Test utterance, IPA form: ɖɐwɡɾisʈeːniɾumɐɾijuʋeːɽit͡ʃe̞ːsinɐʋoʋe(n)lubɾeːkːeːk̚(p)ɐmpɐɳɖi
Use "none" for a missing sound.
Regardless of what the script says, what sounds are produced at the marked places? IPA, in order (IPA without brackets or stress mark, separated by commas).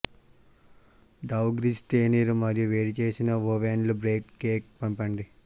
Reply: n, p